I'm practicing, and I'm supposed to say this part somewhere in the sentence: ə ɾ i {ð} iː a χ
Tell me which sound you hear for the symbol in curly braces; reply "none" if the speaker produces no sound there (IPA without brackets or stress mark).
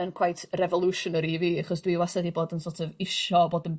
v